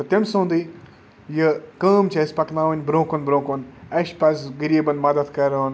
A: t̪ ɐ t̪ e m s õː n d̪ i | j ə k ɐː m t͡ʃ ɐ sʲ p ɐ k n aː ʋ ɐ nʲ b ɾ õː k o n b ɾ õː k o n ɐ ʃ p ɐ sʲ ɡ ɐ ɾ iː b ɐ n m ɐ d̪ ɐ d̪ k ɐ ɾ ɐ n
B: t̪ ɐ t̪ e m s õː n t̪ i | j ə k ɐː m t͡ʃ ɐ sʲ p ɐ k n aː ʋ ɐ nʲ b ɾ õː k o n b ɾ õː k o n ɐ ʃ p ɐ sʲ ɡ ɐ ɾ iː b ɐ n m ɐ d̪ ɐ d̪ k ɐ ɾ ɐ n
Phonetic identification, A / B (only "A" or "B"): A